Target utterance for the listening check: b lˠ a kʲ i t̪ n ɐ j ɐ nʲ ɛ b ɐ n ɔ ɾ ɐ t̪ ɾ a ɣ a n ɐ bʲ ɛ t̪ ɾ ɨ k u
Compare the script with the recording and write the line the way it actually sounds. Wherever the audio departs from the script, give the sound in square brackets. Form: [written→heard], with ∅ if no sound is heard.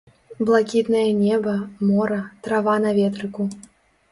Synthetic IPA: b lˠ a kʲ i t̪ n ɐ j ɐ nʲ ɛ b ɐ [n→m] ɔ ɾ ɐ t̪ ɾ a [ɣ→v] a n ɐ [bʲ→vʲ] ɛ t̪ ɾ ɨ k u